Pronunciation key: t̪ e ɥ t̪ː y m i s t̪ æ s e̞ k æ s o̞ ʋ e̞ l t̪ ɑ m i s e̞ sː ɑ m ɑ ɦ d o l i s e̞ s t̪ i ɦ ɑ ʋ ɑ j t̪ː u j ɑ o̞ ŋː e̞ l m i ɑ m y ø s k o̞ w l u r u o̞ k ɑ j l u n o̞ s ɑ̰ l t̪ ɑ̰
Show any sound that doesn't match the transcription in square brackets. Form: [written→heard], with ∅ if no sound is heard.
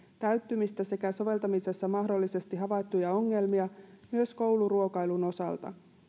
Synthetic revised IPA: t̪ [e→æ] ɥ t̪ː y m i s t̪ æ s e̞ k æ s o̞ ʋ e̞ l t̪ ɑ m i s e̞ sː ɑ m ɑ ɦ d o [l→lː] i s e̞ s t̪ i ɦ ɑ ʋ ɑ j t̪ː u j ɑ o̞ ŋː e̞ l m i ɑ m y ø s k o̞ w l u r u o̞ k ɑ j l u n o̞ s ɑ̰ l t̪ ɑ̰